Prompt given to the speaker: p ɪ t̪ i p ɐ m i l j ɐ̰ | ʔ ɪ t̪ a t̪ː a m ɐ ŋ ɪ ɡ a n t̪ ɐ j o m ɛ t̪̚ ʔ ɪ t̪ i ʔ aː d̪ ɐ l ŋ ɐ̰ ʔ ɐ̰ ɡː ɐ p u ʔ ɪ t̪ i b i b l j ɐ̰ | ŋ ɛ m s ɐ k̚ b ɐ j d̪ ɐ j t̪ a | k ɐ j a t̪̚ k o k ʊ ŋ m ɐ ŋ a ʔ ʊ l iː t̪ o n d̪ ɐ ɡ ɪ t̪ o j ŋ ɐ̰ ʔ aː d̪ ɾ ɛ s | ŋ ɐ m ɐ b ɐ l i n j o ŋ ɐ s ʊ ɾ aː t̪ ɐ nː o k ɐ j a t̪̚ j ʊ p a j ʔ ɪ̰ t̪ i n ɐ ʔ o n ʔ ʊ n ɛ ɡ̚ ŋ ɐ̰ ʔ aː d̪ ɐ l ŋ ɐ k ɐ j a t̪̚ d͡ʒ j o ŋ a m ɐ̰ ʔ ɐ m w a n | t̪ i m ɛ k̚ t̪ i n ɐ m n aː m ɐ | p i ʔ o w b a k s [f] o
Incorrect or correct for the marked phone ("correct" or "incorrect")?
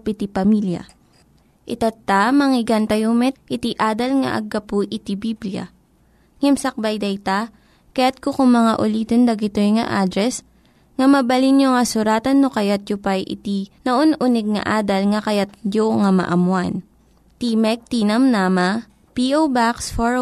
correct